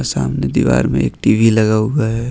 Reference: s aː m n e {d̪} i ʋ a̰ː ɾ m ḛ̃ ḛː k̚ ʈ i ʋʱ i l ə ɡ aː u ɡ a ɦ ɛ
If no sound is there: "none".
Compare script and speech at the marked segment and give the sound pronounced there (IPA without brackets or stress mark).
d̪